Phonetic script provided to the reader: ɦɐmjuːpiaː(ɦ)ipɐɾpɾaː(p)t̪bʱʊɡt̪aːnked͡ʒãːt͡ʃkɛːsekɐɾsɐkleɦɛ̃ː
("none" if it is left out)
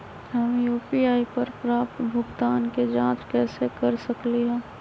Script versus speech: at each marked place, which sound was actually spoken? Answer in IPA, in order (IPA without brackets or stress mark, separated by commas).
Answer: none, p